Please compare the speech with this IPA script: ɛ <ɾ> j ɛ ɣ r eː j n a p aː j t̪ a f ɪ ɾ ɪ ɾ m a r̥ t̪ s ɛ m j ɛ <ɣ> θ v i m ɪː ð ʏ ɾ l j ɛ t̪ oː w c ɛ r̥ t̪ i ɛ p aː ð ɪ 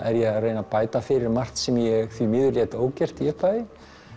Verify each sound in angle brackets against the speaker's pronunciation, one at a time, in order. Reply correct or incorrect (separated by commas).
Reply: correct, correct